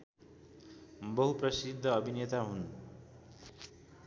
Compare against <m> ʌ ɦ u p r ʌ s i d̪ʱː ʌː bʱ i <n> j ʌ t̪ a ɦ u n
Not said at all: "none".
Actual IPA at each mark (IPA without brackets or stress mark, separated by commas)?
b, n